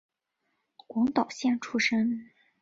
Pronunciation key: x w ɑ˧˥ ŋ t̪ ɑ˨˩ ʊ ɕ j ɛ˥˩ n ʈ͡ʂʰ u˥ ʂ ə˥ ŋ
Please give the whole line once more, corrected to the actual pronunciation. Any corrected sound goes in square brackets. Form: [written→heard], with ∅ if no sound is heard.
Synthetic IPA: [x→k] w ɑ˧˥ ŋ t̪ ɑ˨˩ ʊ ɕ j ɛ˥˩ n ʈ͡ʂʰ u˥ ʂ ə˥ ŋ